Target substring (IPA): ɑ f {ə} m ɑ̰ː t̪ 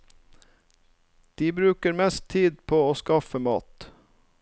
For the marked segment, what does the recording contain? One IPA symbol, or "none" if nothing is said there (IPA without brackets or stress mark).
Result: ə